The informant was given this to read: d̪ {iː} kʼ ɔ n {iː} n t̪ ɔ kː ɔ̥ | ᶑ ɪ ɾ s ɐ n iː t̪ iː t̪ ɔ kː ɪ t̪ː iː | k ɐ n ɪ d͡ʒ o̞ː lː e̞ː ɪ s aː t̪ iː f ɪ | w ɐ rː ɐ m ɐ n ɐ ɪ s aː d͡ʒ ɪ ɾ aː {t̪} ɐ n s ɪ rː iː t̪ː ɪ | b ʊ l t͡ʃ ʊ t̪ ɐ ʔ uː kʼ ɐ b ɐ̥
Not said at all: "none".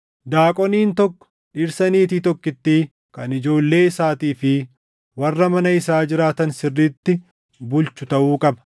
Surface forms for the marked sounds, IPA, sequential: aː, iː, t̪

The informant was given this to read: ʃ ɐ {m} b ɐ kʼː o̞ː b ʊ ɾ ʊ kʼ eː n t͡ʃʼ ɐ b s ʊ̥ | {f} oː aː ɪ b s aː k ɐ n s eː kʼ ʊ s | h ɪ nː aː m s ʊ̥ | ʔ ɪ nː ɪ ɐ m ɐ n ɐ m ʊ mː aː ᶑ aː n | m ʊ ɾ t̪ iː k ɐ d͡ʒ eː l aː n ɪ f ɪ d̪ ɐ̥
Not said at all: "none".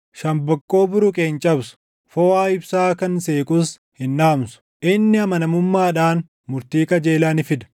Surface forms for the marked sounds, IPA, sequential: m, f

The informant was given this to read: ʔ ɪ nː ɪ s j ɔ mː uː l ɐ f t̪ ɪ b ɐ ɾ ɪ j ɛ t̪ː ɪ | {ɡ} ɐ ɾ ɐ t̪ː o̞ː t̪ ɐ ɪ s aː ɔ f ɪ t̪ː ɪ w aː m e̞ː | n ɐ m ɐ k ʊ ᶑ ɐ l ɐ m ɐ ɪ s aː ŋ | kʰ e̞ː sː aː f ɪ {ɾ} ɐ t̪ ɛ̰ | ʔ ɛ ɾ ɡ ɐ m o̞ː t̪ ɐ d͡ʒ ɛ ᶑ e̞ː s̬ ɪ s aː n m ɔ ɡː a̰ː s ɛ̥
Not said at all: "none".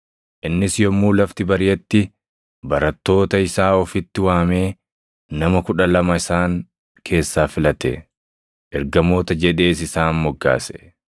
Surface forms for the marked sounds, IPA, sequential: b, l

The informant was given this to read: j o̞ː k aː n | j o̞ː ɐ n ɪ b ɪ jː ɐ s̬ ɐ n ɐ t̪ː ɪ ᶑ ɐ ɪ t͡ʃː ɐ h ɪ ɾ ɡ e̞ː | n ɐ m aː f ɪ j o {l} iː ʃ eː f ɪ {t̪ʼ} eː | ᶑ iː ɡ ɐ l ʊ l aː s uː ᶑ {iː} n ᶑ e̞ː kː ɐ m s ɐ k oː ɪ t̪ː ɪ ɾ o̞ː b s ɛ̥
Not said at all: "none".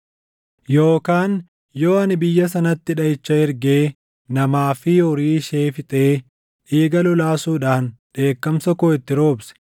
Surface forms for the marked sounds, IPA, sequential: ɾ, t̪ʼ, aː

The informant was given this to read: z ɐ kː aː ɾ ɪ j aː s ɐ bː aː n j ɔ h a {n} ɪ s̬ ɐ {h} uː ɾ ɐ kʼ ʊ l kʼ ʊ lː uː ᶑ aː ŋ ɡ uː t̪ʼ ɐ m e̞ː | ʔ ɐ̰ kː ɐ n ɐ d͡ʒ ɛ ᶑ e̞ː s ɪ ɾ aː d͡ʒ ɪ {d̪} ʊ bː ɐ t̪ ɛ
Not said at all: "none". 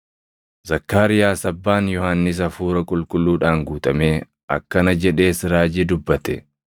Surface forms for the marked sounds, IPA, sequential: nː, f, d̪

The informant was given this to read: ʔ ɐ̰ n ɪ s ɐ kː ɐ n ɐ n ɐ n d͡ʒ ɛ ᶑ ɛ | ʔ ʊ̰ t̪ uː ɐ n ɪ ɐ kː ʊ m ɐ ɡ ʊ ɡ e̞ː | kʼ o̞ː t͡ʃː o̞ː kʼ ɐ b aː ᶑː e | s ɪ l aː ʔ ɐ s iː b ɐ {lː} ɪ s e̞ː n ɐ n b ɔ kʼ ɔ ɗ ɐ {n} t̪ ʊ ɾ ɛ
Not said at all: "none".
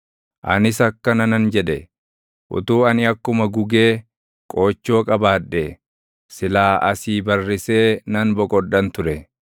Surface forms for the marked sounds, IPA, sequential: rː, n

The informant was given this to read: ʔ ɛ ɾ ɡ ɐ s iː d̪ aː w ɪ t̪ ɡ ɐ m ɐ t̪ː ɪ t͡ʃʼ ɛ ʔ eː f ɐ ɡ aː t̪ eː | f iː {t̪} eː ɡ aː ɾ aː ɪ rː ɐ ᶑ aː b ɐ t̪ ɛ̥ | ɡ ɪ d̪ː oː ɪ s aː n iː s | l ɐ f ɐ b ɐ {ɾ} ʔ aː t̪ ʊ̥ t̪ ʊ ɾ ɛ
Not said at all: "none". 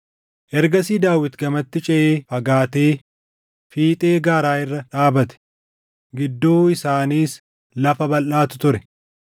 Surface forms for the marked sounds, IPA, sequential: t̪ʼ, l

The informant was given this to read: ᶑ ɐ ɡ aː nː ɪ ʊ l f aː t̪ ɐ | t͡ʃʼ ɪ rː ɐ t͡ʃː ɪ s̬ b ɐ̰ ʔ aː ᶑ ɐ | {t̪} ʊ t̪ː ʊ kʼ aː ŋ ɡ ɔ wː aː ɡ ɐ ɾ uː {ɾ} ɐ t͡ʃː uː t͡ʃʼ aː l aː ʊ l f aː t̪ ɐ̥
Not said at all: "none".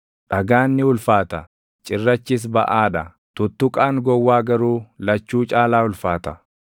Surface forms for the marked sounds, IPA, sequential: t̪, l

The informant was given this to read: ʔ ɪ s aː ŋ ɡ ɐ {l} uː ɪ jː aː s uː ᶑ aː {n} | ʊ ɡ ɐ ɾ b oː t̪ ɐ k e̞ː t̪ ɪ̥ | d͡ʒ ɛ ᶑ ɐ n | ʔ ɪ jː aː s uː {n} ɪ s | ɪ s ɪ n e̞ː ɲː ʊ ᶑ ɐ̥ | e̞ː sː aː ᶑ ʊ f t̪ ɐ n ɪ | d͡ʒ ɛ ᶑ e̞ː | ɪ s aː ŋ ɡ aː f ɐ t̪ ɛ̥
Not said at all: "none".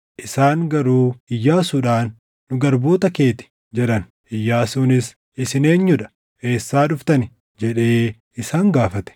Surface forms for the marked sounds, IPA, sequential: ɾ, nː, n

